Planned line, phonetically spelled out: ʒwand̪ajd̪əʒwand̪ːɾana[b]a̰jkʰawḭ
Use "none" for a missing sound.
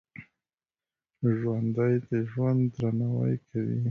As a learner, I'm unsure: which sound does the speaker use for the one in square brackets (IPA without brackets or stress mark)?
w